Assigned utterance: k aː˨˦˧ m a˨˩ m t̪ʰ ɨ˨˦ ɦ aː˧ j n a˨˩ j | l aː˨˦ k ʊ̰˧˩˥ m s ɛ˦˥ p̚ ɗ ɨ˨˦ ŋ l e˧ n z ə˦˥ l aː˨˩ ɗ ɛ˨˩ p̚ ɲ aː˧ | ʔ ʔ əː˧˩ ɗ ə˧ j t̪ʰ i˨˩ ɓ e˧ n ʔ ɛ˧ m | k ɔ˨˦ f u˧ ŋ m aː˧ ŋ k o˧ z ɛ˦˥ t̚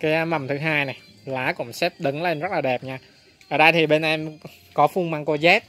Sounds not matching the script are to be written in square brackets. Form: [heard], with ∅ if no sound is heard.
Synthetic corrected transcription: k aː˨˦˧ m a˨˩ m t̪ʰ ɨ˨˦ ɦ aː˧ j n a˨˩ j | l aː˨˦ k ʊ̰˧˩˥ [ŋ͡m] s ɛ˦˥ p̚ ɗ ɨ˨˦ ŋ l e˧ n z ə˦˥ l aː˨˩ ɗ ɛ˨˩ p̚ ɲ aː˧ | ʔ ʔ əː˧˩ ɗ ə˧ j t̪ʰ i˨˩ ɓ e˧ n ʔ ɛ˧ m | k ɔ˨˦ f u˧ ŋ m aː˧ ŋ k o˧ z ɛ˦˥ t̚